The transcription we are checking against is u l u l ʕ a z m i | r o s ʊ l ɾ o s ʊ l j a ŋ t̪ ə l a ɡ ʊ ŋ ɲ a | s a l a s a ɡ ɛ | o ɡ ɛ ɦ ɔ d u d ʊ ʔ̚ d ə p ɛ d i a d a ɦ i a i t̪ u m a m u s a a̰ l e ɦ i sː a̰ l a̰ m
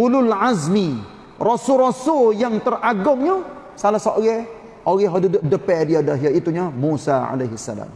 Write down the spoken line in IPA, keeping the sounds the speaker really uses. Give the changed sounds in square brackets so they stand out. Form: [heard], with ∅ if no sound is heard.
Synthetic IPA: u l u l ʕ a z m i | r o s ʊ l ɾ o s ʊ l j a ŋ t̪ ə [r] a ɡ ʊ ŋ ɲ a | s a l a s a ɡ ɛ | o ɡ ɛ ɦ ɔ d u d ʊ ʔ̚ d ə p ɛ d i a d a ɦ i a i t̪ u [ɲ] a m u s a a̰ l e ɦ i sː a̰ l a̰ m